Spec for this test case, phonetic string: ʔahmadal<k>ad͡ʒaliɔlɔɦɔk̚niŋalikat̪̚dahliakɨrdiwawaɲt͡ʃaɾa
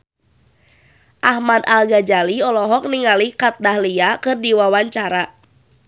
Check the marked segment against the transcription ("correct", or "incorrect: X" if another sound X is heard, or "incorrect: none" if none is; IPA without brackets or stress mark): incorrect: ɡ